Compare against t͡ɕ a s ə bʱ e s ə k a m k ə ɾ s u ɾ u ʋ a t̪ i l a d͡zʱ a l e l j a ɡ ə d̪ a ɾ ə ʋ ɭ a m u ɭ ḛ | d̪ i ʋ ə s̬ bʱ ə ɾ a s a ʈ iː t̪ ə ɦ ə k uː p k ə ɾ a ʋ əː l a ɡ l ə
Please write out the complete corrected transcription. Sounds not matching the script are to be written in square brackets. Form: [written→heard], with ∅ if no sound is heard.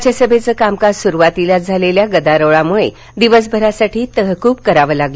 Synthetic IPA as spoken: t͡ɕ a s ə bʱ e [s→t͡s] ə k a m k [ə→a] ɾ s u ɾ u ʋ a t̪ i l a d͡zʱ a l e l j a ɡ ə d̪ a ɾ ə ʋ ɭ a m u ɭ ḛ | d̪ i ʋ ə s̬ bʱ ə ɾ a s a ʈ iː t̪ ə ɦ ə k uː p k ə ɾ a ʋ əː l a ɡ l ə